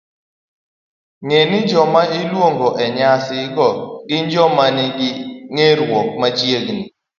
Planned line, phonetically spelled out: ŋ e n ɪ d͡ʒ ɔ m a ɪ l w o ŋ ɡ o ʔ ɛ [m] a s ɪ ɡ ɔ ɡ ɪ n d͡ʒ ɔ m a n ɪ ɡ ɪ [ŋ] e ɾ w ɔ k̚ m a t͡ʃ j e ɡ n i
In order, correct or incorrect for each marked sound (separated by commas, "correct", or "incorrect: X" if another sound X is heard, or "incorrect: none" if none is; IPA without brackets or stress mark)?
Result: incorrect: ɲ, correct